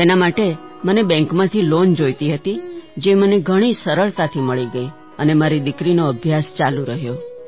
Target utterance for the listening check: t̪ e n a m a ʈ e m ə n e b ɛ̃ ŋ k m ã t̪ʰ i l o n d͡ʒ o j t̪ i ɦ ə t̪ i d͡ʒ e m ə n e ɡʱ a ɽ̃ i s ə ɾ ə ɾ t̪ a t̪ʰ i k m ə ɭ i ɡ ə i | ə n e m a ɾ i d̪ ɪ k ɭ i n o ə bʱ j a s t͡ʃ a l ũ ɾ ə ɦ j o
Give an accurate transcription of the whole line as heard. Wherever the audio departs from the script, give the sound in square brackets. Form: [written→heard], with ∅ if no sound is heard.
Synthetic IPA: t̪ e n a m a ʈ e m ə n e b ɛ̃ ŋ k m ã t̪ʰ i l o n d͡ʒ o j t̪ i ɦ ə t̪ i d͡ʒ e m ə n e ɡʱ [a→ə] ɽ̃ i s ə ɾ ə [ɾ→ɭ] t̪ a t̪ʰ i [k→∅] m ə ɭ i ɡ ə i | ə n e m a ɾ i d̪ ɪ k [ɭ→ɾ] i n o ə bʱ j a s t͡ʃ a l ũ ɾ ə ɦ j o